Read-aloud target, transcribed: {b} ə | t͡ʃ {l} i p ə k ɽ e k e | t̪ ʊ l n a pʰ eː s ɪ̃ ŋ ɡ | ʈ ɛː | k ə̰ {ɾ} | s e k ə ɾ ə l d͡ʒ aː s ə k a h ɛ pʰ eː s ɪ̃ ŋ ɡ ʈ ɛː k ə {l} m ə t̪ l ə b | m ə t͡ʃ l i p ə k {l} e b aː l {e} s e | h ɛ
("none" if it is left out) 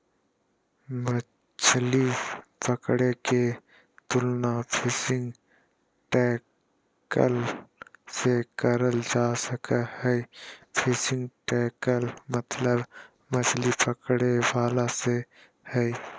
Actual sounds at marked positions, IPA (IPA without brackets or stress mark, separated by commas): m, l, l, l, ɽ, a